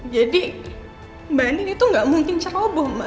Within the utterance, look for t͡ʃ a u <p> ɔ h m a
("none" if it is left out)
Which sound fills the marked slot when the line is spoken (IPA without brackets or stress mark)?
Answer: b